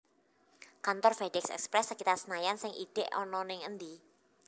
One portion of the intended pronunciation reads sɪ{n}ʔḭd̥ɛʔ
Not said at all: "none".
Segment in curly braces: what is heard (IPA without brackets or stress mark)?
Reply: ŋ